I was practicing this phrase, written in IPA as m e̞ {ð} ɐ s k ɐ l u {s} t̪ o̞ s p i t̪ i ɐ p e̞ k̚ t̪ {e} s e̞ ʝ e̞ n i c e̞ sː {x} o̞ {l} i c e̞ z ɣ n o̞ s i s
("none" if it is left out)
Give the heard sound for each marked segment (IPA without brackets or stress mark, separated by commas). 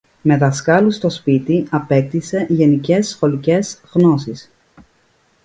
ð, s, i, x, l